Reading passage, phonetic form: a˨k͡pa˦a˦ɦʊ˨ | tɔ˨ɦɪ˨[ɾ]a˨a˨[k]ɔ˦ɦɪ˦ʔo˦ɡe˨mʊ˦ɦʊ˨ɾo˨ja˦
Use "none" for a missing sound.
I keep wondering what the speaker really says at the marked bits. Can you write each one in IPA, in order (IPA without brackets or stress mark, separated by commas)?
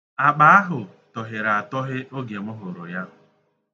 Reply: ɾ, t